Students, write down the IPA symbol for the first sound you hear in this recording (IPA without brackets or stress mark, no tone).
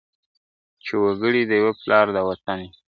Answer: t͡ʃ